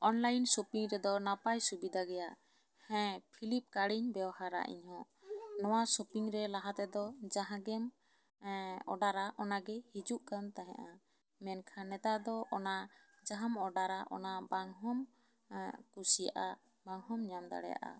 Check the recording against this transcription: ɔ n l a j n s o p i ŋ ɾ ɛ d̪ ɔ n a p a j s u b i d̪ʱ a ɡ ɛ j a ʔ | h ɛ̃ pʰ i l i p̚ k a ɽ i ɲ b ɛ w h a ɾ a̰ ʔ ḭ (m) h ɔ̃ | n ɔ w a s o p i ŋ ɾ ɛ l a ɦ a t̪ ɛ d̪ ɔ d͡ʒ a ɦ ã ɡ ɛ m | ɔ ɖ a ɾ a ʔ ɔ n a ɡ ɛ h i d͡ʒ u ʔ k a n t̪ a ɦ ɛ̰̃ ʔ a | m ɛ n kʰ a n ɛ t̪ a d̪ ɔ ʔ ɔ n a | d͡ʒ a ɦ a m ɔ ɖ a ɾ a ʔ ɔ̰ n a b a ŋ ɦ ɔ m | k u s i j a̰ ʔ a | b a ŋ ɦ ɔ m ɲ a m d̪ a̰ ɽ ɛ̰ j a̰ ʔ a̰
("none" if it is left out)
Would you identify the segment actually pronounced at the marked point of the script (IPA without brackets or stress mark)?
ɲ